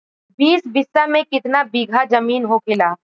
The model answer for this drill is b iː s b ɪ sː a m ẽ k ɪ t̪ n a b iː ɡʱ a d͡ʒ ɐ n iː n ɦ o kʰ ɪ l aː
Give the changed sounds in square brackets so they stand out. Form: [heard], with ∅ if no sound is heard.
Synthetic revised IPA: b iː s b ɪ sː a m ẽ k ɪ t̪ n a b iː ɡʱ a d͡ʒ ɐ [m] iː n ɦ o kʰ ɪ l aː